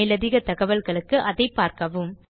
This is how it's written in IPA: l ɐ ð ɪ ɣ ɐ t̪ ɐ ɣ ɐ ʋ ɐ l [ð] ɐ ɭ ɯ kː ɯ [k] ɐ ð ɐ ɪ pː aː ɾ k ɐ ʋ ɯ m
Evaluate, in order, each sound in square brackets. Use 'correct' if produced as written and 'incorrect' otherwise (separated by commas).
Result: incorrect, incorrect